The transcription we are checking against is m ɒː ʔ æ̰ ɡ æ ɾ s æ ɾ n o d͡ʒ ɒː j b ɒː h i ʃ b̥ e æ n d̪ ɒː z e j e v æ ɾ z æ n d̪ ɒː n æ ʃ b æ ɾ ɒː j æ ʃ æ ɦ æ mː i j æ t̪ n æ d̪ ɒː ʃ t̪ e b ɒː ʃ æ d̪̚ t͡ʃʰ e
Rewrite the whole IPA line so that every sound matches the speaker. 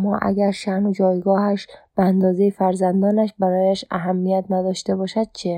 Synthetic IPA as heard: m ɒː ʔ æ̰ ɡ æ ɾ ʃ æ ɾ n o d͡ʒ ɒː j ɡ ɒː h æ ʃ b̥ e æ n d̪ ɒː z e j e f æ ɾ z æ n d̪ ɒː n æ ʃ b æ ɾ ɒː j æ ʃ æ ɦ æ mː i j æ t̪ n æ d̪ ɒː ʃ t̪ e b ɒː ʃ æ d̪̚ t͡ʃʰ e